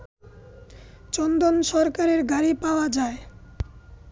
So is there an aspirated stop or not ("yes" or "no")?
no